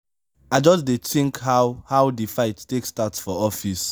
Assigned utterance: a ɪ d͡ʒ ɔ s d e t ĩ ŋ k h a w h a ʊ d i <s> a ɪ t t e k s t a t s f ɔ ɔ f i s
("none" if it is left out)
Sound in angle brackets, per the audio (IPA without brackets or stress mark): f